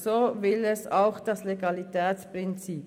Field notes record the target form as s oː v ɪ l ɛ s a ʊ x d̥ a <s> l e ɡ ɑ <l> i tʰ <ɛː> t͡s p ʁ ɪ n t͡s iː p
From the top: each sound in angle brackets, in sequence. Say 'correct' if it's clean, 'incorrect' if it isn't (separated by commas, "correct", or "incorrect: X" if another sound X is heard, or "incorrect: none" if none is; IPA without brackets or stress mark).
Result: correct, correct, correct